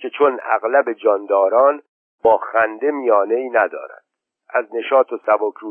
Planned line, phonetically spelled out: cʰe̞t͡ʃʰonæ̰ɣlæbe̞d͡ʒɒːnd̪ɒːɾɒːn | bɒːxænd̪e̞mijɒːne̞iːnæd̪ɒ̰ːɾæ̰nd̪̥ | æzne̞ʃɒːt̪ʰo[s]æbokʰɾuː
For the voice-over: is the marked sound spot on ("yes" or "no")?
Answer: yes